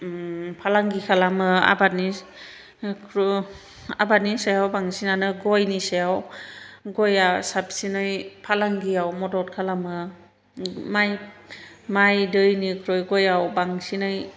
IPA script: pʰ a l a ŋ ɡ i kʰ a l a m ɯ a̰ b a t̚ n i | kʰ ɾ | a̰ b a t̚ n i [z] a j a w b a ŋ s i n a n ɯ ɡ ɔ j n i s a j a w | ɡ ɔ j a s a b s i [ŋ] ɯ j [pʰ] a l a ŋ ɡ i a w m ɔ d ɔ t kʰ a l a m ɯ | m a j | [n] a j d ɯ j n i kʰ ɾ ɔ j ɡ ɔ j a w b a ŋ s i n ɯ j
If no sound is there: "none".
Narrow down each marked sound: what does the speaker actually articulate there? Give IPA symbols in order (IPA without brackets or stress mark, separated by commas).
s, n, pʰ, m